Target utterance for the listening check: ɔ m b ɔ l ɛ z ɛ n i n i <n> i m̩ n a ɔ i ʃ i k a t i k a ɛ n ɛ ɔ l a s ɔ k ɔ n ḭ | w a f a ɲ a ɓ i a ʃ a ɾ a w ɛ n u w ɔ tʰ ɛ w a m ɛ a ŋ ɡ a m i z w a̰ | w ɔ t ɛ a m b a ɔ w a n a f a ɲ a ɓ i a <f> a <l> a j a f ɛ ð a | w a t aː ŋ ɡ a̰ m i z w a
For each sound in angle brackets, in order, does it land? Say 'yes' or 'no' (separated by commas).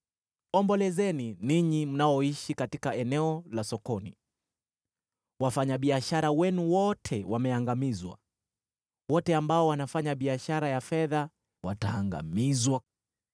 no, no, no